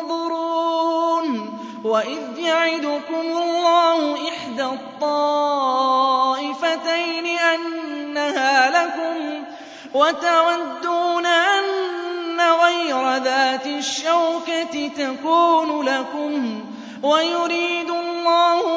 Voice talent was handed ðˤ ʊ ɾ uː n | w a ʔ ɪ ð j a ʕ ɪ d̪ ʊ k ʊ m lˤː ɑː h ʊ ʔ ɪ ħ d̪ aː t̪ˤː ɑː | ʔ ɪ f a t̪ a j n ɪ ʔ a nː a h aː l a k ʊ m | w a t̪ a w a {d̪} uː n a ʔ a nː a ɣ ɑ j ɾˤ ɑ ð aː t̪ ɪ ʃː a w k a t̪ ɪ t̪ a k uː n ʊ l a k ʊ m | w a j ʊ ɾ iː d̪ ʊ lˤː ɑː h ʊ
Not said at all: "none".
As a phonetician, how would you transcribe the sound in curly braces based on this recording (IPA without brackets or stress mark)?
d̪ː